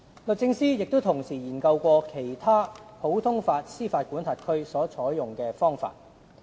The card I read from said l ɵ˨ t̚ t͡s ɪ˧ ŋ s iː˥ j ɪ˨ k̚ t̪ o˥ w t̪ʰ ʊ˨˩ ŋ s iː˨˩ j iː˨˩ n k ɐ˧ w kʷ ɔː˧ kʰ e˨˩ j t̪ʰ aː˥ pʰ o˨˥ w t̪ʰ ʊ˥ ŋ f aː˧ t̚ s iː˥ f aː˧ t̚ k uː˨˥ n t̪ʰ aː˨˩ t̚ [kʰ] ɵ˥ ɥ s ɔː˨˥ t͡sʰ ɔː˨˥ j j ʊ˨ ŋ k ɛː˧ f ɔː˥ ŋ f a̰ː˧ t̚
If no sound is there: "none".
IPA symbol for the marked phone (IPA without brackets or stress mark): kʰ